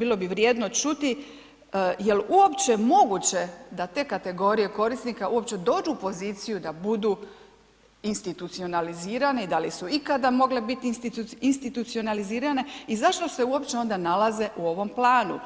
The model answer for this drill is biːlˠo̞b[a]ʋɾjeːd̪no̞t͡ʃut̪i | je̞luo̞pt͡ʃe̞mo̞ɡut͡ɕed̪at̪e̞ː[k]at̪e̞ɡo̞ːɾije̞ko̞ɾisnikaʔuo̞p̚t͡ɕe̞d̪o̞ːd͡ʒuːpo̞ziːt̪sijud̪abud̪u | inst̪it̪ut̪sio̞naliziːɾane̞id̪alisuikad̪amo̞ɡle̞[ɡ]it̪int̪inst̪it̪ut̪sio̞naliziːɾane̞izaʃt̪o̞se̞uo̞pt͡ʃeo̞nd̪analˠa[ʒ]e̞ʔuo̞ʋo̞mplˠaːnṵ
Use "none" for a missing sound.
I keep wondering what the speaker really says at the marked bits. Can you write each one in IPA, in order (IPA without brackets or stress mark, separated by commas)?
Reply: i, k, b, z